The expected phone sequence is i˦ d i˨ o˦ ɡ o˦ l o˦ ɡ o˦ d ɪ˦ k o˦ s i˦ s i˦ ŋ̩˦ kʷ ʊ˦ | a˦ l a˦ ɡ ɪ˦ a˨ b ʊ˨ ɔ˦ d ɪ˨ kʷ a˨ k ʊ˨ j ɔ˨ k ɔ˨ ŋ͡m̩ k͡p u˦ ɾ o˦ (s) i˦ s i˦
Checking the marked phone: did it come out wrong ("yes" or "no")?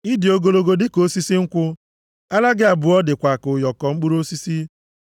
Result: no